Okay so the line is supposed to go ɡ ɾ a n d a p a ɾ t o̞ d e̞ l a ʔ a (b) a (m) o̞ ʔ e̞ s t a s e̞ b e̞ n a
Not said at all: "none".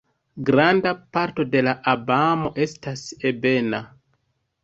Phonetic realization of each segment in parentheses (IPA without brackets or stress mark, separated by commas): b, m